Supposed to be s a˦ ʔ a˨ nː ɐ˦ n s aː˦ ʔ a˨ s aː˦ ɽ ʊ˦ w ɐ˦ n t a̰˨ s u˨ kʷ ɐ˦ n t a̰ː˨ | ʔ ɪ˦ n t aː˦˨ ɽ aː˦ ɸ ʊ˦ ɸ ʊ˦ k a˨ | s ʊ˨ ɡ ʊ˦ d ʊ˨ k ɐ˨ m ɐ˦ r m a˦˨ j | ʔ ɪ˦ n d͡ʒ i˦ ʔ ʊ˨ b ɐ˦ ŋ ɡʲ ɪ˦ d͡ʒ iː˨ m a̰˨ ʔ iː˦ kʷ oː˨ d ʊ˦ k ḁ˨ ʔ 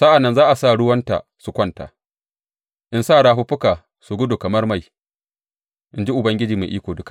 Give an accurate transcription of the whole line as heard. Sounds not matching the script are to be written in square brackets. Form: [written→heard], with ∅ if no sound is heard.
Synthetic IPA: s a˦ ʔ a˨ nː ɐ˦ n [s→z] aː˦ ʔ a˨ s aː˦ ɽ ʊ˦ w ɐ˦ n t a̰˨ s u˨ kʷ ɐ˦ n t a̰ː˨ | ʔ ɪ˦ n [t→s] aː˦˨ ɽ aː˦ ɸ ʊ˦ ɸ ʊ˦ k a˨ | s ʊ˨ ɡ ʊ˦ d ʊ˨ k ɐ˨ m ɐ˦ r m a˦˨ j | ʔ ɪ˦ n d͡ʒ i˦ ʔ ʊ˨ b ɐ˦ ŋ ɡʲ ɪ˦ d͡ʒ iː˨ m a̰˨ ʔ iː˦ kʷ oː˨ d ʊ˦ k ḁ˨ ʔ